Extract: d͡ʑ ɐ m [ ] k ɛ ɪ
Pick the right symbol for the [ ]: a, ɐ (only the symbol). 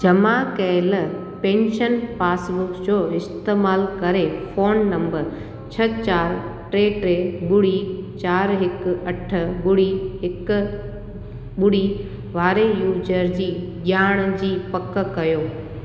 a